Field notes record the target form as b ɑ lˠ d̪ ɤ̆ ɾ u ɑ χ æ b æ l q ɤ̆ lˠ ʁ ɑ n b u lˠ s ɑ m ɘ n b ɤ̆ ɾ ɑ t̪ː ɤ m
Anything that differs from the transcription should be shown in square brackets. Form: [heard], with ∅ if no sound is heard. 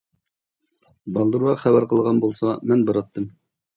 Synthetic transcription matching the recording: b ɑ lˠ d̪ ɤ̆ ɾ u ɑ χ æ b æ [ɾ] q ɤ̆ lˠ ʁ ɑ n b u lˠ s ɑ m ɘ n b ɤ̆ ɾ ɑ t̪ː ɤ m